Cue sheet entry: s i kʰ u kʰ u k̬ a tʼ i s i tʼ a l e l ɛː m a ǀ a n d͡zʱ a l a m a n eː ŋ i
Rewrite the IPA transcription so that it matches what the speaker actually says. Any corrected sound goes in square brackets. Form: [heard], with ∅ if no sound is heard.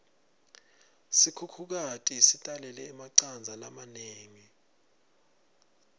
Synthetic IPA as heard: s i kʰ u kʰ u k̬ a tʼ i s i tʼ a l [ɛ] l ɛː m a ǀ a n d͡zʱ a l a m a n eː ŋ i